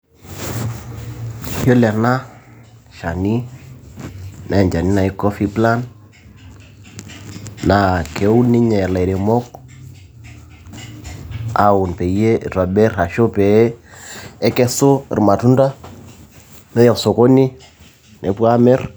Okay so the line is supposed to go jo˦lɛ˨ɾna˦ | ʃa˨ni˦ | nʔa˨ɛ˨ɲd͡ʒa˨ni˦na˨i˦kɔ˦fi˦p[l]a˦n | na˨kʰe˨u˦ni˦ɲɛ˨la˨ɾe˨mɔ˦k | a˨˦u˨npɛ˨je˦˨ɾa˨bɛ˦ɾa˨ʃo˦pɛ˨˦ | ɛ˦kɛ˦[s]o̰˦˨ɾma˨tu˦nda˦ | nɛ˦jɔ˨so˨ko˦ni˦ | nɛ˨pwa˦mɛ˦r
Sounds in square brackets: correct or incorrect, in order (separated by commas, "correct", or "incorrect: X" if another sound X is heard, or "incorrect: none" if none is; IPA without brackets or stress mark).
correct, correct